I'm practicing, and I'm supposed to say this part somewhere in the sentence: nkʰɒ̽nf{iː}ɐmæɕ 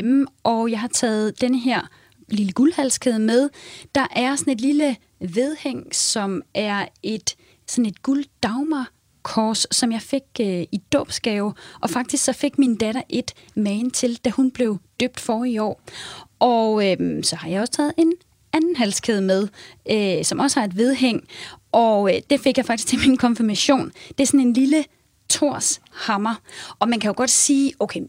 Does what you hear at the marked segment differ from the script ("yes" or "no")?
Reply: yes